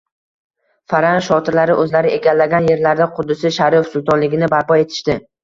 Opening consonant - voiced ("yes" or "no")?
no